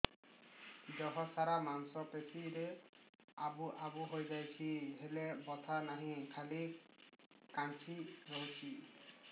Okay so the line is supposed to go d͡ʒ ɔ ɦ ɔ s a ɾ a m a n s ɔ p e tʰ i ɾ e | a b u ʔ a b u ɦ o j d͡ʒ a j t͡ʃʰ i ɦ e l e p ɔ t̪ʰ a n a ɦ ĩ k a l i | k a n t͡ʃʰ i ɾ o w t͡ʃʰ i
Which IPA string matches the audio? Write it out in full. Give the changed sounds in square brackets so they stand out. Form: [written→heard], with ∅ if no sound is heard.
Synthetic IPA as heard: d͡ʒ ɔ ɦ ɔ s a ɾ a m a n s ɔ p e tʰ i ɾ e | a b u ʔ a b u ɦ o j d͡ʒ a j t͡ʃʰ i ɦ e l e [p→b] ɔ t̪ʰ a n a ɦ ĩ [k→kʰ] a l i | k a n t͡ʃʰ i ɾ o w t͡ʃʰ i